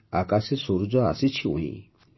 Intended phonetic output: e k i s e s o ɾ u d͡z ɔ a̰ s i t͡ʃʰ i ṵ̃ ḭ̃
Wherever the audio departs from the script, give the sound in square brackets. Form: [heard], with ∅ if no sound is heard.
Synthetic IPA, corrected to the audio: [a] k [a] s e s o ɾ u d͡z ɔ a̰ s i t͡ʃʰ i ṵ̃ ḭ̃